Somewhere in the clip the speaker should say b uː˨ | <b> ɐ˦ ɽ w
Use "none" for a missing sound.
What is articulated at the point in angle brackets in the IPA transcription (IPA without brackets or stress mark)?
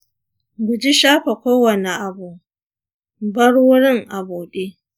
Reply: b